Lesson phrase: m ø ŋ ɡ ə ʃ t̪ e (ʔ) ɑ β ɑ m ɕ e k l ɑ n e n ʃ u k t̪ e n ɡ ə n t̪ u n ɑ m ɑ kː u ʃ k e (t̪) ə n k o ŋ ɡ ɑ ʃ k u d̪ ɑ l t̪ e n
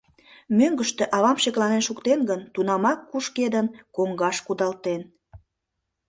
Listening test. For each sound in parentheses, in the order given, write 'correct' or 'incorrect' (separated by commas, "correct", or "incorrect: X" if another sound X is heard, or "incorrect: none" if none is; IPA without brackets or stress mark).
correct, incorrect: d̪